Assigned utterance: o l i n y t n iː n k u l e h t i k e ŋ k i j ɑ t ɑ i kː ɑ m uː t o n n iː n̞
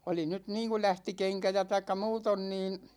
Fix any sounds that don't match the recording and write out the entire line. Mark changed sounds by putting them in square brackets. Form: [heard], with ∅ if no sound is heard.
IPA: o l i n y t n iː [ŋ] k u l [æ] h t i k e ŋ k [æ] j ɑ t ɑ i kː ɑ m uː t o n n iː n̞